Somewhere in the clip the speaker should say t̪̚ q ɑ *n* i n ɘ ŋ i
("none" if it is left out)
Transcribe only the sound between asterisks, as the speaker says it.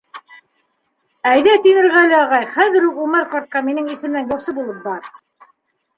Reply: m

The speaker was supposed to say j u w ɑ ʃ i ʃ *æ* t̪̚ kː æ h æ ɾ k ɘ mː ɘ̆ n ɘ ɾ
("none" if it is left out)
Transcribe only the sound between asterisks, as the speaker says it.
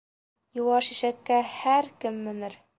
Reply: æ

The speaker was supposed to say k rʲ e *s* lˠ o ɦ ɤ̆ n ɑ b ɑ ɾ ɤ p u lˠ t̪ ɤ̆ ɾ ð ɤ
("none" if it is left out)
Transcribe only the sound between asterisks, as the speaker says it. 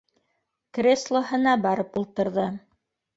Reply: s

